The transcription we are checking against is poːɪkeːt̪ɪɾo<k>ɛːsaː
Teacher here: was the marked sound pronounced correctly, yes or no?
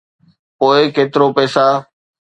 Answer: no